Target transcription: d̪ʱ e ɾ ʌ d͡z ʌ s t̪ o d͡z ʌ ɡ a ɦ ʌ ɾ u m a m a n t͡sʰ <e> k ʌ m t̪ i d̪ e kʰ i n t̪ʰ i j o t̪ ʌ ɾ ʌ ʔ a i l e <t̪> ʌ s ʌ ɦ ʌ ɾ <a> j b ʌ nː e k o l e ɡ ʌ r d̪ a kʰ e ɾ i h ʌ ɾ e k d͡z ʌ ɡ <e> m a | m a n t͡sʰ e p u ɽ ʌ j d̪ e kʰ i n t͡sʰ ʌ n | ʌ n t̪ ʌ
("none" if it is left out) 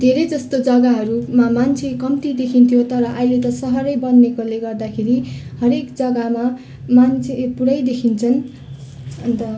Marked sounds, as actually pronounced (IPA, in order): e, t̪, ʌ, a

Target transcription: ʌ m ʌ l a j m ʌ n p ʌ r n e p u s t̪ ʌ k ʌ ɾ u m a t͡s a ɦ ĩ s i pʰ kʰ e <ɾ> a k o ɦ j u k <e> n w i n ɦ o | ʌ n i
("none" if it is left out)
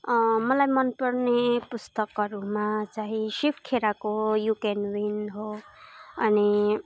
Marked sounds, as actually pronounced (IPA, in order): ɾ, e

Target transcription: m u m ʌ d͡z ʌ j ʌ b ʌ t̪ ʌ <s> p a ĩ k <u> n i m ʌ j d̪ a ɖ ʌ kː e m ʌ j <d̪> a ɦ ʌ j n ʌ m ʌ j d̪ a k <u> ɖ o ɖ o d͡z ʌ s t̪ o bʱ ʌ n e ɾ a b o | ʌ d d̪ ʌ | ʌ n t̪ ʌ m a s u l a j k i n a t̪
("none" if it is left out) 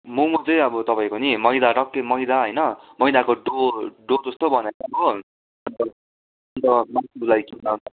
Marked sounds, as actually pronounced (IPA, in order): none, o, d̪, o

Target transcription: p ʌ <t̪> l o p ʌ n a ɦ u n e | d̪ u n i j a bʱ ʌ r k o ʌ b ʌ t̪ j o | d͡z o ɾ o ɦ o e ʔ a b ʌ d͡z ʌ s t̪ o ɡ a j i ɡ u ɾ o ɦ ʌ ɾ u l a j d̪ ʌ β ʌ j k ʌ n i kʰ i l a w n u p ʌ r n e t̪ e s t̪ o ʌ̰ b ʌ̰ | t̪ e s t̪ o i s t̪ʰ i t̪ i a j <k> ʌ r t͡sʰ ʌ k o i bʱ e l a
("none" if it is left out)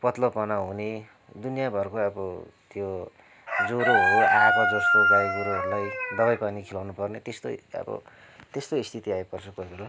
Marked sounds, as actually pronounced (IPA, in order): t̪, p

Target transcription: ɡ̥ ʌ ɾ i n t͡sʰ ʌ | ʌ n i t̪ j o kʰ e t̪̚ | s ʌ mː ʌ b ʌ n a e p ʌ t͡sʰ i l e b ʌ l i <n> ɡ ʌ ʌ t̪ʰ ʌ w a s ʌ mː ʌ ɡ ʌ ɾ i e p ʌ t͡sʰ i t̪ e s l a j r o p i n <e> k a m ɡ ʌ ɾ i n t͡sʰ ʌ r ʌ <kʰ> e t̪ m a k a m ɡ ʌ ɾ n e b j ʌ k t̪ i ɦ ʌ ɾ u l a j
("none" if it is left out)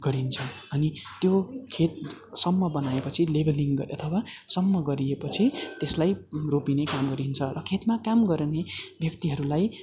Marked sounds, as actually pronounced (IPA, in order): ŋ, e, kʰ

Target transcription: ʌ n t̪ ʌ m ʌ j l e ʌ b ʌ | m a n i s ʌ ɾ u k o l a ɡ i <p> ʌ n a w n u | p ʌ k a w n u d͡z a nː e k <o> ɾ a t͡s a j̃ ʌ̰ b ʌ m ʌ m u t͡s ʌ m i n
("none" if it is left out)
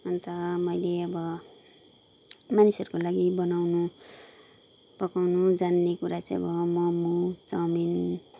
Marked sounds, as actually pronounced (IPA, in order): b, u

